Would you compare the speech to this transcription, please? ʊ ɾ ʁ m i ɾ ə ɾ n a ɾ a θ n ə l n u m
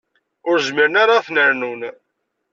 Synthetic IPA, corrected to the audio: ʊ ɾ z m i ɾ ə n a ɾ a θ n ə ɾ n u n